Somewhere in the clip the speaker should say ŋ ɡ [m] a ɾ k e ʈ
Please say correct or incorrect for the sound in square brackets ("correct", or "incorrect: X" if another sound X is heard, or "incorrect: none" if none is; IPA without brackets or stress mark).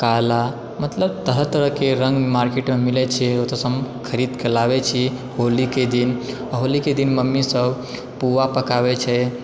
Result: correct